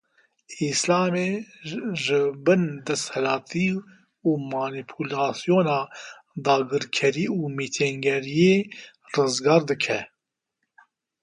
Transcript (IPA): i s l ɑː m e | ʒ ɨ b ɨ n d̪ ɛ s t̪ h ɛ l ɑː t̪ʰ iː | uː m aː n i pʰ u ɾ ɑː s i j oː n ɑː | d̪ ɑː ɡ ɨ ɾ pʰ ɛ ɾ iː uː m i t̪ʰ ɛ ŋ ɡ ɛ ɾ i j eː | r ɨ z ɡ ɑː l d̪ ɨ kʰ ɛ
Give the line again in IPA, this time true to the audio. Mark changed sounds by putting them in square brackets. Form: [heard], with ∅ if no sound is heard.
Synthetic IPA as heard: i s l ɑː m e | ʒ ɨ b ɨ n d̪ ɛ s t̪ h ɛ l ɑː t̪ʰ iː | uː m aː n i pʰ u [l] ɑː s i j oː n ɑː | d̪ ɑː ɡ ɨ ɾ [kʰ] ɛ ɾ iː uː m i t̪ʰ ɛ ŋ ɡ ɛ ɾ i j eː | r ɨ z ɡ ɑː [ɾ] d̪ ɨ kʰ ɛ